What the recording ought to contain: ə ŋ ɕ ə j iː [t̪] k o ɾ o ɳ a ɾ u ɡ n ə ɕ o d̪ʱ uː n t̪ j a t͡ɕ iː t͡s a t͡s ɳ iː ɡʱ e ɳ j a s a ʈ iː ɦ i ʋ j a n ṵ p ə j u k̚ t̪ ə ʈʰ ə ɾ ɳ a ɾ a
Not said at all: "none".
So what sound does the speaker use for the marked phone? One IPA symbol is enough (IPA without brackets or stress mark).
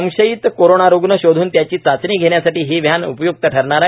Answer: t̪